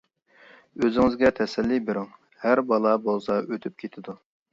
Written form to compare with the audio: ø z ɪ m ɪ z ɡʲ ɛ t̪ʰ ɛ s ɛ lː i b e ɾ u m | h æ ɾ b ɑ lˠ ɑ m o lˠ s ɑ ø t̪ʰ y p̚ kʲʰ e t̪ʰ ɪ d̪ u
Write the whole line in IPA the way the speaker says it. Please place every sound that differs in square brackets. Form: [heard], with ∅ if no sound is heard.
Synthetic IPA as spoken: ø z ɪ [ŋ] ɪ z ɡʲ ɛ t̪ʰ ɛ s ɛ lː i b e ɾ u [ŋ] | h æ ɾ b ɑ lˠ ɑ [b] o lˠ s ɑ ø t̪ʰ y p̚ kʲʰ e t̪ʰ ɪ d̪ u